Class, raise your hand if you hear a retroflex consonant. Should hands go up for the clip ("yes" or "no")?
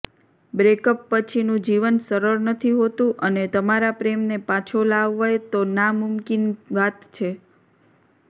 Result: no